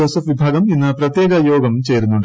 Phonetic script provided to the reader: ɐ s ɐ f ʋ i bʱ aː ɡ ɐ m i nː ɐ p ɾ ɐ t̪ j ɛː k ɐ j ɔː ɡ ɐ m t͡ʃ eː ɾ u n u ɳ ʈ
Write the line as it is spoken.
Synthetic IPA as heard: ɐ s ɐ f ʋ i bʱ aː ɡ ɐ m i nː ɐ p ɾ ɐ t̪ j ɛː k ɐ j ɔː ɡ ɐ m t͡ʃ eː ɾ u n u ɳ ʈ